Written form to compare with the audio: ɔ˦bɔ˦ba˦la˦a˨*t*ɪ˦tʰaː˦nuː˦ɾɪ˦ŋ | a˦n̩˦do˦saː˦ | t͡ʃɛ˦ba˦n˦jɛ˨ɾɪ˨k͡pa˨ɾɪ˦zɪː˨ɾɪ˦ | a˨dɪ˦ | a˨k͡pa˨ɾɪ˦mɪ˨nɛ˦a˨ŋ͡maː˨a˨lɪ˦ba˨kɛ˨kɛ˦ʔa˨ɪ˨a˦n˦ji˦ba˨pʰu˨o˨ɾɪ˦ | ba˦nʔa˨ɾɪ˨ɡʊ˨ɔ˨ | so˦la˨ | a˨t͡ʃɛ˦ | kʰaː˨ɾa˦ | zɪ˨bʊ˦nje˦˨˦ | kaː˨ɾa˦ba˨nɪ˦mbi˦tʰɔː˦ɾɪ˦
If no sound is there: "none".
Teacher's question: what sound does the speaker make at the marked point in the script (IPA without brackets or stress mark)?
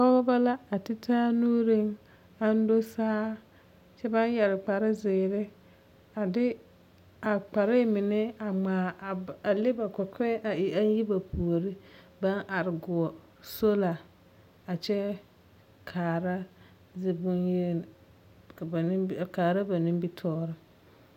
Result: t